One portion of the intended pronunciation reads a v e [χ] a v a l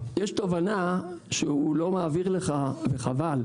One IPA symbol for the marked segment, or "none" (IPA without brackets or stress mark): χ